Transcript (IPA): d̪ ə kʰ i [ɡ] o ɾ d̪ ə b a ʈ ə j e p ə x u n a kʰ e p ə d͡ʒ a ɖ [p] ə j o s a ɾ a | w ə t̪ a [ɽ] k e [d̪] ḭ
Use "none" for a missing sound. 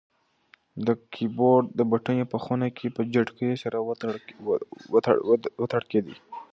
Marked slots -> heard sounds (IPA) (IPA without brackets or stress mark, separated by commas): b, k, ɽ, d̪